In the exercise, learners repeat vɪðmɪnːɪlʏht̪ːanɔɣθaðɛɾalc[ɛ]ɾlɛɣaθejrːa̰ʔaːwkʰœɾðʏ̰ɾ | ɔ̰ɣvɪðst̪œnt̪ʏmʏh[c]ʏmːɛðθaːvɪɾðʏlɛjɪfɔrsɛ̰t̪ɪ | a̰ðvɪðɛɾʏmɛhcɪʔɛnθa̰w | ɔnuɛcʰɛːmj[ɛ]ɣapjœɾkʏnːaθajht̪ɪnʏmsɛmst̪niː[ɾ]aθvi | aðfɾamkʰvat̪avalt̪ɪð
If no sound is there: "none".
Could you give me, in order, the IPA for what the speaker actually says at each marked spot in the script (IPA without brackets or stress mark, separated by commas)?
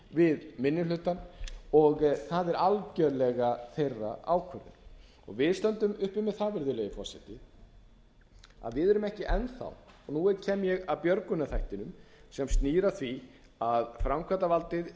œ, p, ɛ, ɾ